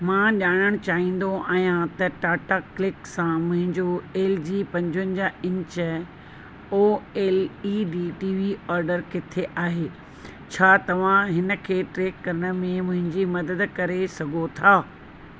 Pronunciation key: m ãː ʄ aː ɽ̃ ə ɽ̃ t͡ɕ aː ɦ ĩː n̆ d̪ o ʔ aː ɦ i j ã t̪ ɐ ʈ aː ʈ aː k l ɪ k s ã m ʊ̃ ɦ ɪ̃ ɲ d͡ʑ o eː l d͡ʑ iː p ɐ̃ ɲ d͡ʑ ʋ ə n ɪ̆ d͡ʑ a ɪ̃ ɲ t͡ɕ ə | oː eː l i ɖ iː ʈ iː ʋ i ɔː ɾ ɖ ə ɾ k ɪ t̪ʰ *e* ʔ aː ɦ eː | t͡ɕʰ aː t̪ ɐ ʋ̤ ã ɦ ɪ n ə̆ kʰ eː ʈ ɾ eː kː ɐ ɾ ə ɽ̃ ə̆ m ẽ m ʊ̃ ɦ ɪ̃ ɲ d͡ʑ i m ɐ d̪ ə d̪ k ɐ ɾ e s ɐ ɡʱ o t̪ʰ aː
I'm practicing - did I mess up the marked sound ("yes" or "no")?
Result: no